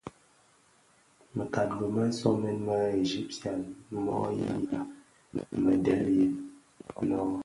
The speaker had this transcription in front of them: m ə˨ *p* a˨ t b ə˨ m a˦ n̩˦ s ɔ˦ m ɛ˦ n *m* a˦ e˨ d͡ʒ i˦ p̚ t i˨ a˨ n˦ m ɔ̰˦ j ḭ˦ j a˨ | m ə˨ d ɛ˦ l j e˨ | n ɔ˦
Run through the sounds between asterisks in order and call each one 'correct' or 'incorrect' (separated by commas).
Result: incorrect, correct